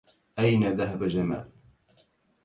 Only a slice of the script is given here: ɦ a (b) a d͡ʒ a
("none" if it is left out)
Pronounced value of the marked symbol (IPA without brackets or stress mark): b